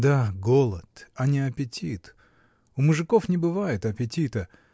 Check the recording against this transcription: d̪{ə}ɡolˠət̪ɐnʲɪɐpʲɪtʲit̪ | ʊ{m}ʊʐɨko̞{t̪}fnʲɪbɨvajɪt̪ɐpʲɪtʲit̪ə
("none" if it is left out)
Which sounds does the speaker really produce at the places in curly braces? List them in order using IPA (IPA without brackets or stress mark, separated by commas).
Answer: a, m, none